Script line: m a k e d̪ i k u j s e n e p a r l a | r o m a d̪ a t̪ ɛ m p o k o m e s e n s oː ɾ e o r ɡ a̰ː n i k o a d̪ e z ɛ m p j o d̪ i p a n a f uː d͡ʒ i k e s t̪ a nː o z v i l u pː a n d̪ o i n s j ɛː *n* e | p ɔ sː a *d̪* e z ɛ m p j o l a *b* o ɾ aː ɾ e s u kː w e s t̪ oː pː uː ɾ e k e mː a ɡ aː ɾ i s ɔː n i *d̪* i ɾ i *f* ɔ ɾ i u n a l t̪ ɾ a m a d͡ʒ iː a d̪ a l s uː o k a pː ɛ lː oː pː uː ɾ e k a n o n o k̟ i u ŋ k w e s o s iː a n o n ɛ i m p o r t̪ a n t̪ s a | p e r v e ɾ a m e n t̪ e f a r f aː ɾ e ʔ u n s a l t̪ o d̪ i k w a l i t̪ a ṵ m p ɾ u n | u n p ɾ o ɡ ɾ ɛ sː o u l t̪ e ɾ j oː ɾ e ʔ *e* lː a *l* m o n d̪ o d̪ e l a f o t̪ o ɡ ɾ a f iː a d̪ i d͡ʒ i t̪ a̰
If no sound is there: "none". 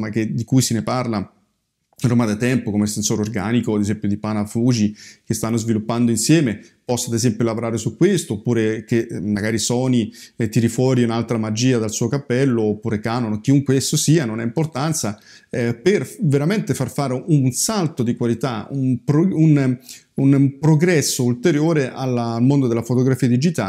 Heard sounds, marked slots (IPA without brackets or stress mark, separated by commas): m, d̪, v, t̪, f, a, l